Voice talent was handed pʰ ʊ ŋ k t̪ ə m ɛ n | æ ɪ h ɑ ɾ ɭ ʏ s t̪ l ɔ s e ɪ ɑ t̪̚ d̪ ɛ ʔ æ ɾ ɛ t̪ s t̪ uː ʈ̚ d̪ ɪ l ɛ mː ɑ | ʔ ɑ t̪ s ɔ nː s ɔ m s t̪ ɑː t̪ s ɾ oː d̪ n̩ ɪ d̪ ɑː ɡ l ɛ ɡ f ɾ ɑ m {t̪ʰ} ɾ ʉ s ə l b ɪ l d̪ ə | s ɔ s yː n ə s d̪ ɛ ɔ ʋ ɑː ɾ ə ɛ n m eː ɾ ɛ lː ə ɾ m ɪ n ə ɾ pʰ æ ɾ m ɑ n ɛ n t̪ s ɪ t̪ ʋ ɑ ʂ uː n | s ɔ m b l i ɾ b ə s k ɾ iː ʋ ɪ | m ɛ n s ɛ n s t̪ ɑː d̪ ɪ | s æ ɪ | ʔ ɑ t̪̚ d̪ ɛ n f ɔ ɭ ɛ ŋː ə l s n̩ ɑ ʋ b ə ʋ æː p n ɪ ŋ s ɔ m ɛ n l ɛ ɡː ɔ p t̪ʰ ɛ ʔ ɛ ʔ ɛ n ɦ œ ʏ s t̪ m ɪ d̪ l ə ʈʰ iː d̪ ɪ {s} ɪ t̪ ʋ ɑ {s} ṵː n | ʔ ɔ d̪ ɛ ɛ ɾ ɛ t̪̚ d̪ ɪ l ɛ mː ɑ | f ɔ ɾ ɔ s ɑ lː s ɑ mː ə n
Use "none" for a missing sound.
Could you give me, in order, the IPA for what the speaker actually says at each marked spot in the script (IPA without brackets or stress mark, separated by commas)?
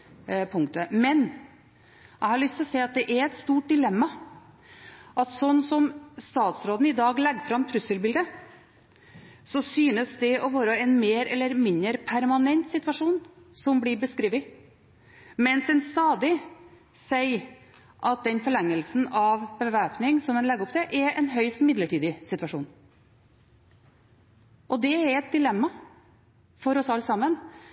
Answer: t̪ʰ, s, ʂ